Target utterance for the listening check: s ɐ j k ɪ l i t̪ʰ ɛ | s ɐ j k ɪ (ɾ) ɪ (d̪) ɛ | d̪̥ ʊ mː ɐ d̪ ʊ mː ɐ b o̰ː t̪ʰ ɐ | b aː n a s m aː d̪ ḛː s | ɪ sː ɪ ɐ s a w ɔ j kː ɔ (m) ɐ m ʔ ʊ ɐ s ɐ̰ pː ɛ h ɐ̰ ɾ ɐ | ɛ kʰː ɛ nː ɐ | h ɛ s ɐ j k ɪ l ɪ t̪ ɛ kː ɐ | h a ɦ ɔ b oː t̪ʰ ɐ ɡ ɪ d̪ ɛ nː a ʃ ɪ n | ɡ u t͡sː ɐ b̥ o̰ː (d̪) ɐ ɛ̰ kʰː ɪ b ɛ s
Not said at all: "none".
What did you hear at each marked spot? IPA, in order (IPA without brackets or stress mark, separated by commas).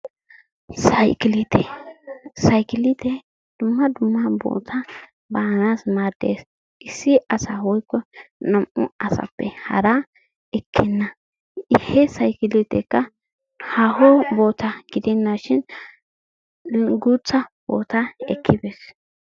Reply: l, t̪, n, t̪